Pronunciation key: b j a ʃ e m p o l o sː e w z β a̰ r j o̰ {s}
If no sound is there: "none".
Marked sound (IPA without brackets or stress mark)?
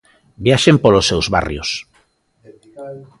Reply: s